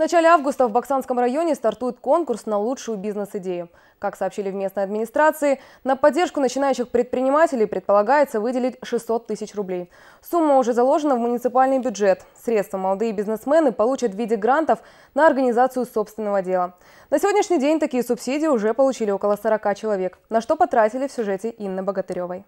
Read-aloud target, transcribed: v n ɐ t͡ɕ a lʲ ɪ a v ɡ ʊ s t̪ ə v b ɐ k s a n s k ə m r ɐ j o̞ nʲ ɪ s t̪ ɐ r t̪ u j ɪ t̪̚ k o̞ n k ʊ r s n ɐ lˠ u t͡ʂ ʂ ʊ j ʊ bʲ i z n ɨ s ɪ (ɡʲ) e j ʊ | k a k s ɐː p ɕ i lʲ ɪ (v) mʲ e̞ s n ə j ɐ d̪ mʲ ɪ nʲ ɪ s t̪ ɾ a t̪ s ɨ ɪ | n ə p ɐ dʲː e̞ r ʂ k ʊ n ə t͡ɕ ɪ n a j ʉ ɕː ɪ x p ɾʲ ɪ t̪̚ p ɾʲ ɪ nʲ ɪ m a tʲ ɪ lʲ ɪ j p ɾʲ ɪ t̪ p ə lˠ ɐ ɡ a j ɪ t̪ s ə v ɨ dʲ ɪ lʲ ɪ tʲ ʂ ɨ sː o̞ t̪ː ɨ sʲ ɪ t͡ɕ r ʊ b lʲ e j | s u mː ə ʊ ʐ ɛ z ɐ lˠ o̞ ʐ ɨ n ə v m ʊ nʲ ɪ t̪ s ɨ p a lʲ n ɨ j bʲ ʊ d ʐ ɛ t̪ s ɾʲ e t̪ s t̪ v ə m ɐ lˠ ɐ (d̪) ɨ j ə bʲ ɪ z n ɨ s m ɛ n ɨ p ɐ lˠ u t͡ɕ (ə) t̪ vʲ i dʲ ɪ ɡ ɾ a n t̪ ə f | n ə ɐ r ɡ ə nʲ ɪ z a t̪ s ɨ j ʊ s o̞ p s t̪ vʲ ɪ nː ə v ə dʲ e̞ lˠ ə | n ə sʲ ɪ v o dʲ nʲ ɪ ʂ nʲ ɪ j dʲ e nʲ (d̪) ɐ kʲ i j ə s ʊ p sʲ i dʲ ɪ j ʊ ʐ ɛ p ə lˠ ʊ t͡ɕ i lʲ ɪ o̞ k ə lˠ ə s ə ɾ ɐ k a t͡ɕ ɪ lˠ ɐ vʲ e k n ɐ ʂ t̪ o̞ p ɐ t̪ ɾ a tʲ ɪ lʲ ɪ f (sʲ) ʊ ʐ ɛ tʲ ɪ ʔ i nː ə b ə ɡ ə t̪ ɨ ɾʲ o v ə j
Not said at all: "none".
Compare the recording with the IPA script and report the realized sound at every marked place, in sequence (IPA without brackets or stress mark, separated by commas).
dʲ, v, d̪, ə, t̪, sʲ